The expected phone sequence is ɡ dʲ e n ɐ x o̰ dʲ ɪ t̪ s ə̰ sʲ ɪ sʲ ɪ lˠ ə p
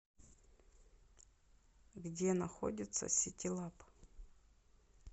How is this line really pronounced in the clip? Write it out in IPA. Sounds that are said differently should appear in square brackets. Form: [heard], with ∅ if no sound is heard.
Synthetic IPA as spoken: ɡ dʲ e n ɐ x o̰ dʲ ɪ t̪ s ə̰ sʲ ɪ [tʲ] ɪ lˠ [a] p